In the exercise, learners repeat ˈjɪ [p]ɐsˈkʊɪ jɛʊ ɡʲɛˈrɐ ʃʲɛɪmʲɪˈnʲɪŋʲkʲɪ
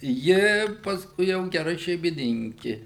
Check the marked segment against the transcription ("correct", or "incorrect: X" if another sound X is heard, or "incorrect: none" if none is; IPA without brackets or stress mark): correct